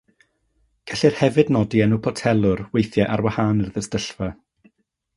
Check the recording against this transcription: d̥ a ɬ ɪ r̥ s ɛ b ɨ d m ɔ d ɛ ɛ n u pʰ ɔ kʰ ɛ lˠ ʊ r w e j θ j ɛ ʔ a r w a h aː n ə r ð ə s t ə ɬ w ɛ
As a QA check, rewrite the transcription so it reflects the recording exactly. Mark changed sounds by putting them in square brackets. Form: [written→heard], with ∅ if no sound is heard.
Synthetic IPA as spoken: [d̥→ɡ̥] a ɬ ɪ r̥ [s→h] ɛ [b→v] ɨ d [m→n] ɔ d [ɛ→i] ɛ n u pʰ ɔ [kʰ→tʰ] ɛ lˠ ʊ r w e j θ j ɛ ʔ a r w a h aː n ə r ð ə s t ə ɬ [w→v] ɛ